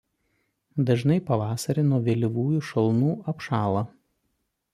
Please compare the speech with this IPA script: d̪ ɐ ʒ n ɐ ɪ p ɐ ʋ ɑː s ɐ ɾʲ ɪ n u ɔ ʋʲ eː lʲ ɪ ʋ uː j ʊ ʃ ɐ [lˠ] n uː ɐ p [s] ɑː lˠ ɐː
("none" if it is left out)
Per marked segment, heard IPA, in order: lˠ, ʃ

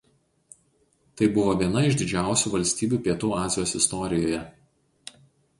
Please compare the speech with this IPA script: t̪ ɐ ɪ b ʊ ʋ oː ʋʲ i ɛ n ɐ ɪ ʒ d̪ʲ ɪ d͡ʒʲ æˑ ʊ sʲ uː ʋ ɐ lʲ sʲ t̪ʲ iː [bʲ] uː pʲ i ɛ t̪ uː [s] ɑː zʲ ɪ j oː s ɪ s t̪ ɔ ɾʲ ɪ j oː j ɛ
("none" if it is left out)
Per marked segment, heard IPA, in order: bʲ, none

